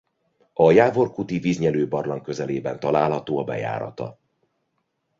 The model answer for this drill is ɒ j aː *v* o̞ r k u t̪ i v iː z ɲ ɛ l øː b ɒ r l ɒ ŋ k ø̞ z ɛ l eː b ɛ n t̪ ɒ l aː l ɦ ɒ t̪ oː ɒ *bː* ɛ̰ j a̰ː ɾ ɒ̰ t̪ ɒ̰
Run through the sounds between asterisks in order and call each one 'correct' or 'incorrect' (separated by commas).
correct, incorrect